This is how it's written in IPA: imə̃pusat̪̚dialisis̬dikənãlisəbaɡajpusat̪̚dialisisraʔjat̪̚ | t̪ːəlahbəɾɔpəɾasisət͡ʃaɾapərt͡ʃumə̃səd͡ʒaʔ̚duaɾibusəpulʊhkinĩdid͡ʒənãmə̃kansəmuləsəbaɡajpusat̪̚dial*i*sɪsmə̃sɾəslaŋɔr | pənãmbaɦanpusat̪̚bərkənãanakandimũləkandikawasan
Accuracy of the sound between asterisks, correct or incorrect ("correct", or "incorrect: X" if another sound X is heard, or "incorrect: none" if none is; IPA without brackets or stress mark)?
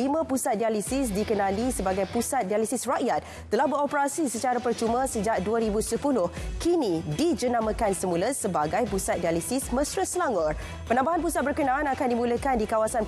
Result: correct